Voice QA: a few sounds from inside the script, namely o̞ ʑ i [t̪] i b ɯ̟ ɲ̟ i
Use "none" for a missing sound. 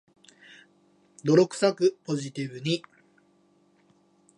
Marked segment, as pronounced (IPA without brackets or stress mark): t̪